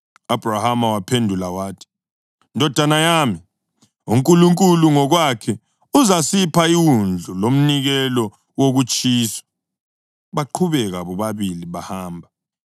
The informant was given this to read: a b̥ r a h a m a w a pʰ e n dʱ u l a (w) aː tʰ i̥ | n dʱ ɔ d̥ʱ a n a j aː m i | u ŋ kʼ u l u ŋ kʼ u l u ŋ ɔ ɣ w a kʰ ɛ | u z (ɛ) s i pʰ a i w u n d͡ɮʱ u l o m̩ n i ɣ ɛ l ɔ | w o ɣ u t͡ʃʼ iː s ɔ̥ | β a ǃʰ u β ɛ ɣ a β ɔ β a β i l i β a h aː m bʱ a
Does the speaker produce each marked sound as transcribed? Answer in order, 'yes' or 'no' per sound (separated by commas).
yes, no